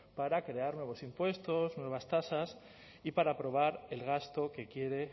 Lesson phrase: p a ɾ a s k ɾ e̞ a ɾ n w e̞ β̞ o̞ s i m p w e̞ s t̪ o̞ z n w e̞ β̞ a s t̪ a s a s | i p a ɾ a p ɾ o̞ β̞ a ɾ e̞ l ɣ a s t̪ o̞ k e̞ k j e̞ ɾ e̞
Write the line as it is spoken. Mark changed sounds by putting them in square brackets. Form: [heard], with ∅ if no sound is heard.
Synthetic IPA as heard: p a ɾ a [∅] k ɾ e̞ a ɾ n w e̞ β̞ o̞ s i m p w e̞ s t̪ o̞ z n w e̞ β̞ a s t̪ a s a s | i p a ɾ a p ɾ o̞ β̞ a ɾ e̞ l ɣ a s t̪ o̞ k e̞ k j e̞ ɾ e̞